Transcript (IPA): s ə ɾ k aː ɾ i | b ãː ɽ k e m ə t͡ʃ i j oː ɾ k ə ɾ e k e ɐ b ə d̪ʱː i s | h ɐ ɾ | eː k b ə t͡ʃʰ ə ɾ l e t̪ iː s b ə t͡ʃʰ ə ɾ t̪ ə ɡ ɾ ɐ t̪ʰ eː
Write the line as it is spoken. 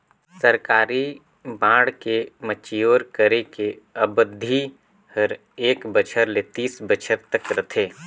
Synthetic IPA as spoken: s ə ɾ k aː ɾ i | b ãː ɽ k e m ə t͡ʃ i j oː ɾ k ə ɾ e k e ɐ b ə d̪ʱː i | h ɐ ɾ | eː k b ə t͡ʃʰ ə ɾ l e t̪ iː s b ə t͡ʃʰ ə ɾ t̪ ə k ɾ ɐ t̪ʰ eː